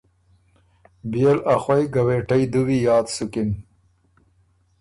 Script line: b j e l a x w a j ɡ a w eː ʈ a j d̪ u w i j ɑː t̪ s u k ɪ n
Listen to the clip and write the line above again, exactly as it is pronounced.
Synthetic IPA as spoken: b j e l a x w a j ɡ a w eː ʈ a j d̪ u w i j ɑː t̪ s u k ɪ n